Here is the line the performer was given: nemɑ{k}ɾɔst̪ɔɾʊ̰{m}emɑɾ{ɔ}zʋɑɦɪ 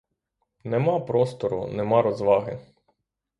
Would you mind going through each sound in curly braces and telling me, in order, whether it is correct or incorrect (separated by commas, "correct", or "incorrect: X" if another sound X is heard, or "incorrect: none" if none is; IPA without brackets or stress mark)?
incorrect: p, incorrect: n, correct